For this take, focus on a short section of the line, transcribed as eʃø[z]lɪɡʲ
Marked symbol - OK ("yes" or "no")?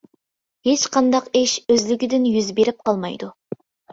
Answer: yes